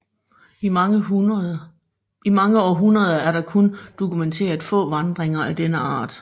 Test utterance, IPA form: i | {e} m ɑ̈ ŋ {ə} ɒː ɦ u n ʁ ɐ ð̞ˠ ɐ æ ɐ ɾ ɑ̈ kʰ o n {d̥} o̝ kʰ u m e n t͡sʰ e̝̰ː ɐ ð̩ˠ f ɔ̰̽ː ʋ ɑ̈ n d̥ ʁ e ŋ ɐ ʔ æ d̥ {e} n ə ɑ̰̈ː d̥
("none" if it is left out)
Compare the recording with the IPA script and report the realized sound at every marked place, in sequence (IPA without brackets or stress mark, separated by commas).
i, ə, d̥, e